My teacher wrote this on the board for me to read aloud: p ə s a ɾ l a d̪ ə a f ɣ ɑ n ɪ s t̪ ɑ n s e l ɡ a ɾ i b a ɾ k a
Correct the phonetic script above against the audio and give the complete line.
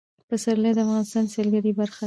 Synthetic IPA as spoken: p ə s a ɾ l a d̪ ə a f ɣ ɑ n ɪ s t̪ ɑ n s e l ɡ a ɾ i b a ɾ x a